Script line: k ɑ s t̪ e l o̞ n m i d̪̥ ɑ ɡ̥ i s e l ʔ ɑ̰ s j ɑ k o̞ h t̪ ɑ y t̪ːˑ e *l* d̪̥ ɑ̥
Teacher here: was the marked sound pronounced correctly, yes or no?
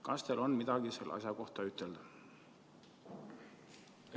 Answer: yes